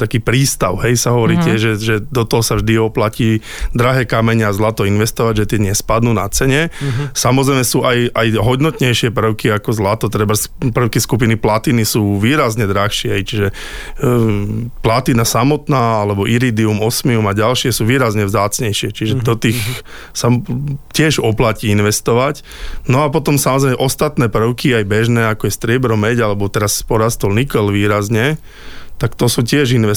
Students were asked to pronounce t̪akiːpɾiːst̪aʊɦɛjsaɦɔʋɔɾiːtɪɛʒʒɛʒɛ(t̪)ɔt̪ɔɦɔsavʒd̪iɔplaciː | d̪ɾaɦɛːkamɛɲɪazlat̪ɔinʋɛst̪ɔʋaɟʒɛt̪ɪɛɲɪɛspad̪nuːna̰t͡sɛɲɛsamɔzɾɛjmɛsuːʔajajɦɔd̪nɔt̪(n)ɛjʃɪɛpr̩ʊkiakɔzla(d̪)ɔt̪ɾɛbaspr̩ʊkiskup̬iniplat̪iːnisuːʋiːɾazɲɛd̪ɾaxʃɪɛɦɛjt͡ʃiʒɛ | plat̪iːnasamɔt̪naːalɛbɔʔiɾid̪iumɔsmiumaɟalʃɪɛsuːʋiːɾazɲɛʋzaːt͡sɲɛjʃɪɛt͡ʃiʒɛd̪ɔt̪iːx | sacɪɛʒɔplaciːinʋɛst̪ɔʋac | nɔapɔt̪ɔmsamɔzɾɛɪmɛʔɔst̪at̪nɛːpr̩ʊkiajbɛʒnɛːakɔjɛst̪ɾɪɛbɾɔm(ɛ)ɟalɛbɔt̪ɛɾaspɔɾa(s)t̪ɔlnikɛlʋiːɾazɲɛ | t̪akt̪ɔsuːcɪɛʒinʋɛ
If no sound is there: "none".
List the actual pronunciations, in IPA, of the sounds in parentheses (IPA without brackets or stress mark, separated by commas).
d̪, ɲ, t̪, ɛ, s